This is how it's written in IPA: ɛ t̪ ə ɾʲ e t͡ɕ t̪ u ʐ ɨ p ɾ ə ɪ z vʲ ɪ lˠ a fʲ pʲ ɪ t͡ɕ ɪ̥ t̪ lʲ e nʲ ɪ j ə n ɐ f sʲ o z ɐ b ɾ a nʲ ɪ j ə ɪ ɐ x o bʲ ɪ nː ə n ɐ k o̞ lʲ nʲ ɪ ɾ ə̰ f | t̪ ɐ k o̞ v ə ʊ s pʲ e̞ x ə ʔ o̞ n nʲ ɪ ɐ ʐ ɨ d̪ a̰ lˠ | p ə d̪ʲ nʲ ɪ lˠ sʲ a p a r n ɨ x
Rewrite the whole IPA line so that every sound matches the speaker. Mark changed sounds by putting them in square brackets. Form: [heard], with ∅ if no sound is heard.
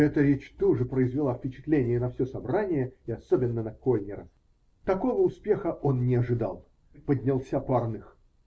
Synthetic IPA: ɛ t̪ ə ɾʲ e t͡ɕ t̪ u ʐ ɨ p ɾ ə ɪ z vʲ ɪ lˠ a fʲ pʲ ɪ t͡ɕ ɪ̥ t̪ lʲ e nʲ ɪ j ə n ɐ f sʲ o [s] ɐ b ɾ a nʲ ɪ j ə ɪ ɐ [s] o bʲ ɪ nː ə n ɐ k o̞ lʲ nʲ ɪ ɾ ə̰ f | t̪ ɐ k o̞ v ə ʊ s pʲ e̞ x ə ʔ o̞ n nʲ ɪ ɐ ʐ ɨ d̪ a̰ lˠ | p ə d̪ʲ nʲ ɪ lˠ sʲ a p a r n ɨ x